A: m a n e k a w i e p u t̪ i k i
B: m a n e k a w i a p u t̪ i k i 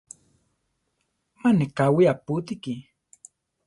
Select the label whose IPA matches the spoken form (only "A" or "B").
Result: B